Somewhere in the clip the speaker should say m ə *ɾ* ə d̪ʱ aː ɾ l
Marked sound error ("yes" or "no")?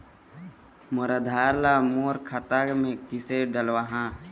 no